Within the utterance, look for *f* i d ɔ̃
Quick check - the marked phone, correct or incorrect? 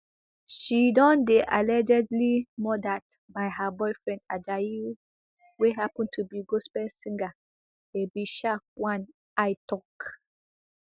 incorrect